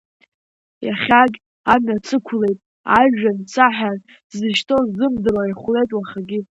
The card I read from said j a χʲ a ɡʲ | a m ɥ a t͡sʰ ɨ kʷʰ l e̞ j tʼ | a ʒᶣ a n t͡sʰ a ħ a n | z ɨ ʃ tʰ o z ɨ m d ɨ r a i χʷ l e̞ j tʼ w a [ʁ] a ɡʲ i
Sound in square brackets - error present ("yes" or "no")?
yes